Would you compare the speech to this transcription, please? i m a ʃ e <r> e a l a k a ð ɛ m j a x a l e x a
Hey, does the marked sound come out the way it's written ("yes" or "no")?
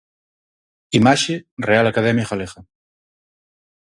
yes